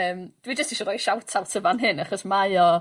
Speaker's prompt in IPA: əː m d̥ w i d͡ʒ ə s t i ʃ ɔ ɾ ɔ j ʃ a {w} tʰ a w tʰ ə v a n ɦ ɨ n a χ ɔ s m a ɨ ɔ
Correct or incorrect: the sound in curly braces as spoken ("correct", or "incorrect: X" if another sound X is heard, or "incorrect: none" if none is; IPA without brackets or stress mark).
correct